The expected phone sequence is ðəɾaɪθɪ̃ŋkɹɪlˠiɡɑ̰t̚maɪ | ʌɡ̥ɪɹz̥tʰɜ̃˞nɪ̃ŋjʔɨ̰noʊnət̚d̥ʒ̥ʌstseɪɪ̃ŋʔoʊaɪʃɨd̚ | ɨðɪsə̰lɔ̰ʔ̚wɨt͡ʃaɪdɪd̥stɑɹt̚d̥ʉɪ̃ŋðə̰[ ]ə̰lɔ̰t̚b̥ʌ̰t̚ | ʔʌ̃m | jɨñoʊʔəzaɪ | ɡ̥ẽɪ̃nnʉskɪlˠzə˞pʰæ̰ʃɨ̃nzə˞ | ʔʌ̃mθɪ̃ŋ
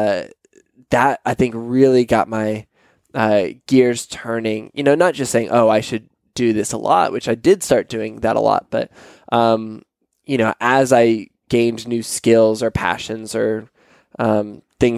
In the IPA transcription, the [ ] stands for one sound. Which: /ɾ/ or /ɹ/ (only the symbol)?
ɾ